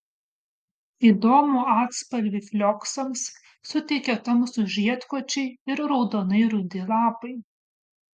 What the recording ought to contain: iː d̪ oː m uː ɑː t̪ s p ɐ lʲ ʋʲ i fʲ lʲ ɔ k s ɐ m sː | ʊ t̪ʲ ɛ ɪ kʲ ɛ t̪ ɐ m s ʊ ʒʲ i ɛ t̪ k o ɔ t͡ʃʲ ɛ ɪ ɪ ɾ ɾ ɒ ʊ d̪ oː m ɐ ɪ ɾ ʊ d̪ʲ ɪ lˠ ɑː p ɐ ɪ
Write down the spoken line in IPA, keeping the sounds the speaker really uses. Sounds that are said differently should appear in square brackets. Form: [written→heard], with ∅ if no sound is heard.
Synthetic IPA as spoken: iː d̪ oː m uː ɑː t̪ s p ɐ lʲ ʋʲ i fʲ lʲ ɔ k s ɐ m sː | ʊ t̪ʲ ɛ ɪ kʲ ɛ t̪ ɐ m s ʊ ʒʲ i ɛ t̪ k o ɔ t͡ʃʲ ɛ ɪ ɪ ɾ ɾ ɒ ʊ d̪ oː [m→n] ɐ ɪ ɾ ʊ d̪ʲ ɪ lˠ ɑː p ɐ ɪ

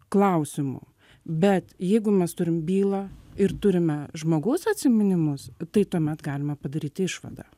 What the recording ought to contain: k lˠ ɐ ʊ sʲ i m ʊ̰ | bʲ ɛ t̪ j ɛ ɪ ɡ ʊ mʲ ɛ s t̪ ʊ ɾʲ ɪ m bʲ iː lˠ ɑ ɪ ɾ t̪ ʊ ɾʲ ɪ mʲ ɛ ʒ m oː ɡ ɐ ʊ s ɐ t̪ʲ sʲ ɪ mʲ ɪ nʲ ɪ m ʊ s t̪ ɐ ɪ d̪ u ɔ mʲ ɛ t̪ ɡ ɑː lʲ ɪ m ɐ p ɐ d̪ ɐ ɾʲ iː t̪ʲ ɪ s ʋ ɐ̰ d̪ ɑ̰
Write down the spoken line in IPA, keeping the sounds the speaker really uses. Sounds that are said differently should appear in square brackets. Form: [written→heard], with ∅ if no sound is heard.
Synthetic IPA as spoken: k lˠ ɐ ʊ sʲ [i→ɪ] m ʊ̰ | bʲ ɛ t̪ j ɛ ɪ ɡ ʊ mʲ ɛ s t̪ ʊ ɾʲ ɪ m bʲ iː lˠ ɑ ɪ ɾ t̪ ʊ ɾʲ ɪ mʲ ɛ ʒ m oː ɡ ɐ ʊ s ɐ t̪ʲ sʲ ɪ mʲ ɪ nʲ ɪ m ʊ s t̪ ɐ ɪ [d̪→t̪] u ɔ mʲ ɛ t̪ ɡ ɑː lʲ ɪ m ɐ p ɐ d̪ ɐ ɾʲ iː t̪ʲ ɪ [s→ʃ] ʋ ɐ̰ d̪ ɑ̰

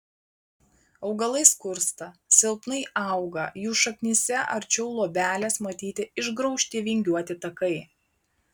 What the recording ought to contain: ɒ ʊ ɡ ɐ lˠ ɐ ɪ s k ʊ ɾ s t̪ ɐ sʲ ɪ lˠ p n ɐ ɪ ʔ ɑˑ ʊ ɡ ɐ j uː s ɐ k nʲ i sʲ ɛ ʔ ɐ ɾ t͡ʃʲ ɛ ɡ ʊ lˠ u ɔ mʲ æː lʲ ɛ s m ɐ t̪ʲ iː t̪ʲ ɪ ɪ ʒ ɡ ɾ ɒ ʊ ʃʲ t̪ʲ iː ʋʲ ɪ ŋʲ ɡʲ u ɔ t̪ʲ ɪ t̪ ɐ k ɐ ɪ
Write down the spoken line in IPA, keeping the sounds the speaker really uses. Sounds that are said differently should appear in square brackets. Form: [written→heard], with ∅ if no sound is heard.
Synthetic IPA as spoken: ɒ ʊ ɡ ɐ lˠ ɐ ɪ s k ʊ ɾ s t̪ ɐ sʲ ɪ lˠ p n ɐ ɪ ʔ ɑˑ ʊ ɡ ɐ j uː [s→ʃ] ɐ k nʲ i sʲ ɛ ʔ ɐ ɾ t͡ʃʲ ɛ [ɡ→∅] ʊ lˠ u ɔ [mʲ→bʲ] æː lʲ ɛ s m ɐ t̪ʲ iː t̪ʲ ɪ ɪ ʒ ɡ ɾ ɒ ʊ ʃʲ t̪ʲ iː ʋʲ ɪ ŋʲ ɡʲ u ɔ t̪ʲ ɪ t̪ ɐ k ɐ ɪ

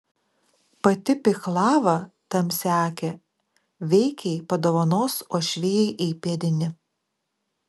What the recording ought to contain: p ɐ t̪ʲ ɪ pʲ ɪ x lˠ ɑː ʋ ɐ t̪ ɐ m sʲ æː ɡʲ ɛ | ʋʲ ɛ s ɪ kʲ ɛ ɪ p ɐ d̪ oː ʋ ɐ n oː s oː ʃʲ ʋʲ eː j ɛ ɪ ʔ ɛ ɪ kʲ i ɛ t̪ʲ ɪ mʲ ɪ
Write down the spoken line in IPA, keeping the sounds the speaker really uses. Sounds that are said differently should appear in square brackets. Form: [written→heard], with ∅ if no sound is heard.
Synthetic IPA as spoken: p ɐ t̪ʲ ɪ pʲ ɪ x lˠ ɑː ʋ ɐ t̪ ɐ m sʲ æː [ɡʲ→kʲ] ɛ | ʋʲ ɛ [s→∅] ɪ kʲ ɛ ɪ p ɐ d̪ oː ʋ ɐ n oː s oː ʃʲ ʋʲ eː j ɛ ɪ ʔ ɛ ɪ [kʲ→pʲ] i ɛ [t̪ʲ→d̪ʲ] ɪ [mʲ→nʲ] ɪ

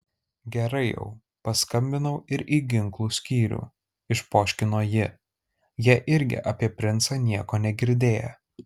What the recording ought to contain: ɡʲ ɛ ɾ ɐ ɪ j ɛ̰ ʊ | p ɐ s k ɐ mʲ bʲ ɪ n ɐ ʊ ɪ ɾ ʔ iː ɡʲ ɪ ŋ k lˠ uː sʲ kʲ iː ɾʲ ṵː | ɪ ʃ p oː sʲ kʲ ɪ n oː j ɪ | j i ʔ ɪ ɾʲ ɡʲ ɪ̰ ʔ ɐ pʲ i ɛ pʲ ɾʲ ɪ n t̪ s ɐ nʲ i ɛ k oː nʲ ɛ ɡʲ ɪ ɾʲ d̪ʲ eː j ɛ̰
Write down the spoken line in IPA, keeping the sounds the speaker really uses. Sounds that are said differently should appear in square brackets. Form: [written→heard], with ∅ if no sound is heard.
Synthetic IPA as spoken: ɡʲ ɛ ɾ ɐ ɪ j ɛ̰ ʊ | p ɐ s k ɐ mʲ bʲ ɪ n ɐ ʊ ɪ ɾ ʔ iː ɡʲ ɪ ŋ k lˠ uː sʲ kʲ iː ɾʲ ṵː | ɪ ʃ p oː [sʲ→ʃʲ] kʲ ɪ n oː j ɪ | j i ʔ ɪ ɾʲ ɡʲ ɪ̰ ʔ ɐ pʲ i ɛ pʲ ɾʲ ɪ n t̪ s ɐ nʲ i ɛ k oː nʲ ɛ ɡʲ ɪ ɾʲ d̪ʲ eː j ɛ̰

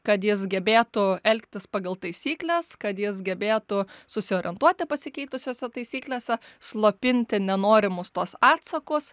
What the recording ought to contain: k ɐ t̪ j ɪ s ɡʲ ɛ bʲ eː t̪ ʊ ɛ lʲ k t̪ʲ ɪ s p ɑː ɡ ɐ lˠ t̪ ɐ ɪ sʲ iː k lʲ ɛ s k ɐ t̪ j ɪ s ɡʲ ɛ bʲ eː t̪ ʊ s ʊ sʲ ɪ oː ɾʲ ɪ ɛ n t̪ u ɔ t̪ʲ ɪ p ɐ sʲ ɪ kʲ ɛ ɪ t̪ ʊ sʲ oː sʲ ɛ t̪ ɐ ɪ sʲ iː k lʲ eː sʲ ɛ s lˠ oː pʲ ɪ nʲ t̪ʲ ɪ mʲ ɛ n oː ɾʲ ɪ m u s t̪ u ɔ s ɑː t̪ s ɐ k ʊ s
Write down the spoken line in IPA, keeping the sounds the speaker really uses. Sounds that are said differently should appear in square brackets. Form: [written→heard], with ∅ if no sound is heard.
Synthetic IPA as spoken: k ɐ t̪ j ɪ s ɡʲ ɛ bʲ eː t̪ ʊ ɛ lʲ k t̪ʲ ɪ s p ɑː ɡ ɐ lˠ t̪ ɐ ɪ sʲ iː k lʲ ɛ s k ɐ t̪ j ɪ s ɡʲ ɛ bʲ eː t̪ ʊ s ʊ sʲ ɪ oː ɾʲ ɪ ɛ n t̪ u ɔ t̪ʲ ɪ p ɐ sʲ ɪ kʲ ɛ ɪ t̪ ʊ sʲ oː sʲ ɛ t̪ ɐ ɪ sʲ iː k lʲ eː sʲ ɛ s lˠ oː pʲ ɪ nʲ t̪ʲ ɪ [mʲ→nʲ] ɛ n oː ɾʲ ɪ m [u→ʊ] s t̪ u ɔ s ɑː t̪ s ɐ k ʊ s

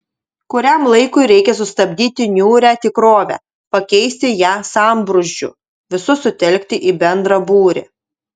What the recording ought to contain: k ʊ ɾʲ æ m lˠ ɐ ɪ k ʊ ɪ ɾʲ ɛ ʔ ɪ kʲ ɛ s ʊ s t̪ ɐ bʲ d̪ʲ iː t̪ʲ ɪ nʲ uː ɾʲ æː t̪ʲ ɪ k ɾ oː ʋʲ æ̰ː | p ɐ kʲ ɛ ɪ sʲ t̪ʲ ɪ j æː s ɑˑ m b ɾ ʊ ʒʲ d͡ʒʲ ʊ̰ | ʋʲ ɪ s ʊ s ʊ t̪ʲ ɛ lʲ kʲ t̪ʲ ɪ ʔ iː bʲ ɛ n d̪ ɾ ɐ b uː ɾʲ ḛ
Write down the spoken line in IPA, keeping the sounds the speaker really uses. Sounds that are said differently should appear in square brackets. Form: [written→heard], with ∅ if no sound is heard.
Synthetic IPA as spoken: k ʊ ɾʲ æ m lˠ ɐ ɪ k ʊ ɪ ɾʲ ɛ [ʔ→∅] ɪ kʲ ɛ s ʊ s t̪ ɐ bʲ d̪ʲ iː t̪ʲ ɪ nʲ uː ɾʲ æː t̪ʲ ɪ k ɾ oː ʋʲ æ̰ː | p ɐ kʲ ɛ ɪ sʲ t̪ʲ ɪ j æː s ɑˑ m b ɾ ʊ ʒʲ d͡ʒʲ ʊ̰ | ʋʲ ɪ s ʊ s ʊ t̪ʲ ɛ lʲ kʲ t̪ʲ ɪ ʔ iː bʲ ɛ n d̪ ɾ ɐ b uː ɾʲ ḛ

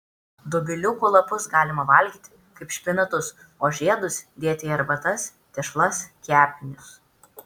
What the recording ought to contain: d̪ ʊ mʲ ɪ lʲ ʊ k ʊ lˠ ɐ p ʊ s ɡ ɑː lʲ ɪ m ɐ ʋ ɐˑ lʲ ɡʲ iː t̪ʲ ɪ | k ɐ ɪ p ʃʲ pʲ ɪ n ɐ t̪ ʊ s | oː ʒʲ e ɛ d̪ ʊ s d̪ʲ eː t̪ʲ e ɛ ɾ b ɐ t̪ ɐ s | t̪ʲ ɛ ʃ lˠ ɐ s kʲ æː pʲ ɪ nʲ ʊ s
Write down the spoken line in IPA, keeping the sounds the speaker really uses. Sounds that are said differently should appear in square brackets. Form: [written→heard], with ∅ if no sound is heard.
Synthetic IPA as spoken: d̪ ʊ [mʲ→bʲ] ɪ lʲ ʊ k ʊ lˠ ɐ p ʊ s ɡ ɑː lʲ ɪ m ɐ ʋ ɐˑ lʲ ɡʲ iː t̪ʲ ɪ | k ɐ ɪ p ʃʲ pʲ ɪ n ɐ t̪ ʊ s | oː ʒʲ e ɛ d̪ ʊ s d̪ʲ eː t̪ʲ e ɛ ɾ b ɐ t̪ ɐ s | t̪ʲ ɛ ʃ lˠ ɐ s kʲ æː pʲ ɪ nʲ ʊ s

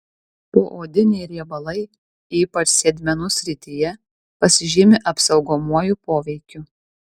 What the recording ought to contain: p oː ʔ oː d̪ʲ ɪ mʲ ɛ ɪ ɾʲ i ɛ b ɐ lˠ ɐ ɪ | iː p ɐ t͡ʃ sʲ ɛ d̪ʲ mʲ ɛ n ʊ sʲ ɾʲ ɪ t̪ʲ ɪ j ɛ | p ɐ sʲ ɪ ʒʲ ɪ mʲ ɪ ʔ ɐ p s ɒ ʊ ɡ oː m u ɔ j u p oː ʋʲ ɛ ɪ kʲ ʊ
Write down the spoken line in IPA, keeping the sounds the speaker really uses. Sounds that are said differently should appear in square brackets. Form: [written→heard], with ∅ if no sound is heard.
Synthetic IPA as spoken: p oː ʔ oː d̪ʲ ɪ [mʲ→nʲ] ɛ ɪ ɾʲ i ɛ b ɐ lˠ ɐ ɪ | iː p ɐ t͡ʃ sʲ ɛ d̪ʲ mʲ ɛ n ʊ sʲ ɾʲ ɪ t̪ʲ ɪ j ɛ | p ɐ sʲ ɪ ʒʲ ɪ mʲ ɪ ʔ ɐ p s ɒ ʊ ɡ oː m u ɔ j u p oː ʋʲ ɛ ɪ kʲ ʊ

